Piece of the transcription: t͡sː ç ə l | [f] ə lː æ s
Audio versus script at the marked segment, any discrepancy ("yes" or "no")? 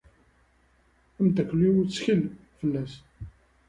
no